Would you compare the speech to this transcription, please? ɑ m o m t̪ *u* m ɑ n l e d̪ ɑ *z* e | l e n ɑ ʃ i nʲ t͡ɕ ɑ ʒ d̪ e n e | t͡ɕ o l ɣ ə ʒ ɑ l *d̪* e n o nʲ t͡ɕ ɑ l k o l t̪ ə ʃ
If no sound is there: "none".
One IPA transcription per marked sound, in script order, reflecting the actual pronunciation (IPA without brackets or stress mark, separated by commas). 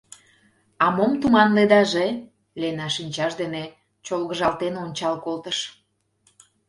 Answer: u, ʒ, t̪